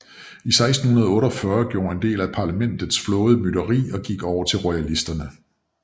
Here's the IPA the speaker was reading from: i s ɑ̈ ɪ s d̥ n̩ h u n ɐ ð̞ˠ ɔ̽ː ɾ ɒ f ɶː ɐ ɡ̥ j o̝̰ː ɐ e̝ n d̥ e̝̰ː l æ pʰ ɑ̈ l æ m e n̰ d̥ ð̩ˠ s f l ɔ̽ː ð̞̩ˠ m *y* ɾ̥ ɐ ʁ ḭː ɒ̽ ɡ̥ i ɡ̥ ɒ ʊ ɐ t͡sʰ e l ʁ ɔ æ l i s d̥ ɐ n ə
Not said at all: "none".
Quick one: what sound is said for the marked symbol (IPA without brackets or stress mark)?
y